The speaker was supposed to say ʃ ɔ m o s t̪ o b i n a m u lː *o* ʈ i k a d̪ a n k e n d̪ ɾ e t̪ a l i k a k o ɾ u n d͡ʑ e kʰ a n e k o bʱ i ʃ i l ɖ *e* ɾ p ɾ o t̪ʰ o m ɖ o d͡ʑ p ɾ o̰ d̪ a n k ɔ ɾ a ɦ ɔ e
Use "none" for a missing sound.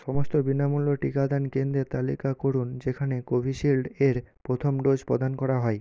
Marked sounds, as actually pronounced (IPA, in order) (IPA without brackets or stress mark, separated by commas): o, e